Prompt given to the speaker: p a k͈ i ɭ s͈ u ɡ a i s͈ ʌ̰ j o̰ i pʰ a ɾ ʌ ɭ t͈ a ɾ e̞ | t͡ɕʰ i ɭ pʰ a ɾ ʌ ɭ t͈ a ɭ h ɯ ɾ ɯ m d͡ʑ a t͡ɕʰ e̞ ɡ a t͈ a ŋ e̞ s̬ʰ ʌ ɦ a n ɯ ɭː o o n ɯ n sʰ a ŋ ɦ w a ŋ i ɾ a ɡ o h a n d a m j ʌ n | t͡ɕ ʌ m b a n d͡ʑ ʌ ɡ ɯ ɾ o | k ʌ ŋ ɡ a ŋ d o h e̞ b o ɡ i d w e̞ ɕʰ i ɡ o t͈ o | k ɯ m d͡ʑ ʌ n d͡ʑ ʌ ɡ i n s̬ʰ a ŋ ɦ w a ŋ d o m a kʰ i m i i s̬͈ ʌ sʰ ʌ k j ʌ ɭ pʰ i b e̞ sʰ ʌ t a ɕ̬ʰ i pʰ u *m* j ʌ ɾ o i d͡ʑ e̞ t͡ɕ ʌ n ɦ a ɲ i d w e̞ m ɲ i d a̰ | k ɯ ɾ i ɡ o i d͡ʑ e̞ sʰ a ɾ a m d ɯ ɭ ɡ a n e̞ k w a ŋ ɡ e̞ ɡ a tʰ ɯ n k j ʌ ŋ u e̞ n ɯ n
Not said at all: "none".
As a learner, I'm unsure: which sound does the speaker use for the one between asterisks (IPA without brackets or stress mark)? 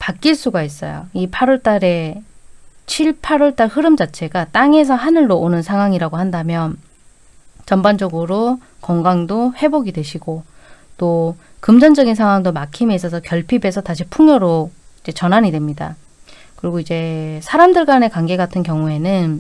ŋ